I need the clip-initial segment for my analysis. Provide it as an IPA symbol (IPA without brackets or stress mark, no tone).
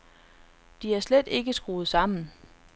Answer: d̥